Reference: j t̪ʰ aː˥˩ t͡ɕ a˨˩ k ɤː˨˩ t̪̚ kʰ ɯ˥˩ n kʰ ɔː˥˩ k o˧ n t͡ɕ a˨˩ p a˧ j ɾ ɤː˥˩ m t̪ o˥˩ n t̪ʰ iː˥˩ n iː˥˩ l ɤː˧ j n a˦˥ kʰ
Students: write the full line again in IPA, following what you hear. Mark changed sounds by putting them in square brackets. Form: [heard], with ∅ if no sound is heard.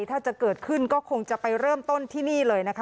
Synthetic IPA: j t̪ʰ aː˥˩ t͡ɕ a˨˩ k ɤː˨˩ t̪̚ kʰ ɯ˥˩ n [k] ɔː˥˩ [kʰ] o˧ [ŋ] t͡ɕ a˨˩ p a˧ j ɾ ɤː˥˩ m t̪ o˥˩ n t̪ʰ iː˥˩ n iː˥˩ l ɤː˧ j n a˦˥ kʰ